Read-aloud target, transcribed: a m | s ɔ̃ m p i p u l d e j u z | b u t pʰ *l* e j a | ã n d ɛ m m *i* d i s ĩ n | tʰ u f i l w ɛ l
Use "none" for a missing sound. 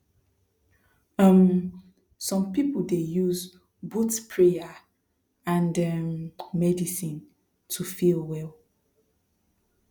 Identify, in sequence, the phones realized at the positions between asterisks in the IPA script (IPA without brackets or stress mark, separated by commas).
ɹ, ɛ